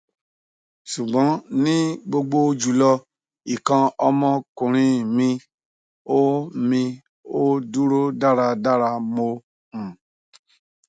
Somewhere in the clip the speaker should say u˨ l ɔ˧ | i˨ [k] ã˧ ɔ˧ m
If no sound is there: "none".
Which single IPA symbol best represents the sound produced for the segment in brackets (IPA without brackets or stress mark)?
k